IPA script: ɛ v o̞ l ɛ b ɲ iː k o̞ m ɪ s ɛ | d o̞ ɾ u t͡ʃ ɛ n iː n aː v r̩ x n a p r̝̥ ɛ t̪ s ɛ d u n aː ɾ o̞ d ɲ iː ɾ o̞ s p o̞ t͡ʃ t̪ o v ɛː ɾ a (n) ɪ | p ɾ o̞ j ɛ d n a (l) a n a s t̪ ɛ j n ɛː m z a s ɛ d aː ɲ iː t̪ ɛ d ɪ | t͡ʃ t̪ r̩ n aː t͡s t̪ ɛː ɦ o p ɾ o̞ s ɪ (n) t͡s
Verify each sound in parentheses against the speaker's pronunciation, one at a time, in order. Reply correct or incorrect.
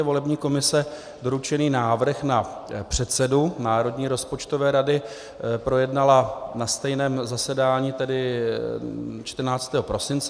incorrect: d, correct, correct

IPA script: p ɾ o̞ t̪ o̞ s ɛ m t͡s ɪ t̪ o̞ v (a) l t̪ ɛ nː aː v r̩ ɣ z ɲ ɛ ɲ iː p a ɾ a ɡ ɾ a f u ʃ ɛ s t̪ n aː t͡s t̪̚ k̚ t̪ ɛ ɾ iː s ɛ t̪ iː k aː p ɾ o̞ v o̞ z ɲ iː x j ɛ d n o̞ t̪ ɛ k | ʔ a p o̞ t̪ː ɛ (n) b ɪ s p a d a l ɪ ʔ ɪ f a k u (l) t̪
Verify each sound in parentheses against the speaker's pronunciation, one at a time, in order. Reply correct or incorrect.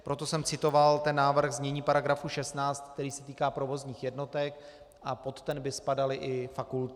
correct, correct, correct

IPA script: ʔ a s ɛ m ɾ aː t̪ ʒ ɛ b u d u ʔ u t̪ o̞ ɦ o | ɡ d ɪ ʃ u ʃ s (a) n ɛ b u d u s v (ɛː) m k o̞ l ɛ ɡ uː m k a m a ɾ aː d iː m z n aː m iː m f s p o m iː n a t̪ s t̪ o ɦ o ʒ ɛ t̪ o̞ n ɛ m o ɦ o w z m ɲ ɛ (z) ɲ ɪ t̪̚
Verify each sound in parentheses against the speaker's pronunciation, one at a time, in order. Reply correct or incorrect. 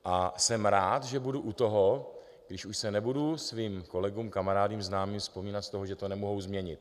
incorrect: ɛ, incorrect: iː, incorrect: none

